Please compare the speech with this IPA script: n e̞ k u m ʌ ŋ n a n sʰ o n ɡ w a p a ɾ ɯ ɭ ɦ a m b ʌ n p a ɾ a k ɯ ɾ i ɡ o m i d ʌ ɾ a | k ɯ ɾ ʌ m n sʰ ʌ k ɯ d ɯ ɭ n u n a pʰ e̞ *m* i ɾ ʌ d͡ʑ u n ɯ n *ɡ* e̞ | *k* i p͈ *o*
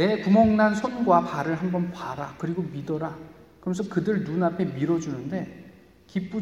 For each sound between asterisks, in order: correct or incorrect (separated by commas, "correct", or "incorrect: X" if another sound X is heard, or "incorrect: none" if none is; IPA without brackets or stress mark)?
correct, incorrect: d, correct, incorrect: u